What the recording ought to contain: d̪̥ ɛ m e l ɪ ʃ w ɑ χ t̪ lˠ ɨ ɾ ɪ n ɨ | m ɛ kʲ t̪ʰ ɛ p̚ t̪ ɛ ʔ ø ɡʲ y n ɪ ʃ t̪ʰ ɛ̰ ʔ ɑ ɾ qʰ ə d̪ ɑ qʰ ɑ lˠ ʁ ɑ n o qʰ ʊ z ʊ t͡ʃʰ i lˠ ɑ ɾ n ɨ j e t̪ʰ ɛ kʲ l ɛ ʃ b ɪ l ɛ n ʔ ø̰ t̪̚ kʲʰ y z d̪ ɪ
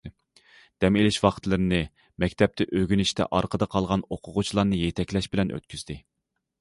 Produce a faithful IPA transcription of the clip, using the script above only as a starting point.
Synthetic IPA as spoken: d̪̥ ɛ m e l ɪ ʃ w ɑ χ t̪ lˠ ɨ ɾ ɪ n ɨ | m ɛ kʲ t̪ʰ ɛ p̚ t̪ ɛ ʔ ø ɡʲ y n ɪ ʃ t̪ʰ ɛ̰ ʔ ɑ ɾ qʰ ə d̪ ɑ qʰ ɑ lˠ ʁ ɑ n o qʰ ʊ ʁ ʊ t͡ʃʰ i lˠ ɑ ɾ n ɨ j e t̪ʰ ɛ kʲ l ɛ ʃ b ɪ l ɛ n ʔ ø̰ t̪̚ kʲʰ y z d̪ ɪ